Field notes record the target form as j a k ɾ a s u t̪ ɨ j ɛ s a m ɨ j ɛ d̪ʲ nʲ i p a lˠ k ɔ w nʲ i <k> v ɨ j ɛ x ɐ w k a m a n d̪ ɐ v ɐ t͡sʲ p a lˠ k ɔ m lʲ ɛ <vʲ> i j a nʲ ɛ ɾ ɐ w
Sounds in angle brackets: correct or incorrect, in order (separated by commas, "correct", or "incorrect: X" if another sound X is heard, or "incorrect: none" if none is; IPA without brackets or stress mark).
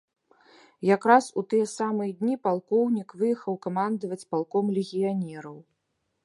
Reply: correct, incorrect: ɣʲ